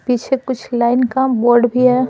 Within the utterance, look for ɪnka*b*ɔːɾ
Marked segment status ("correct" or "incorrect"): correct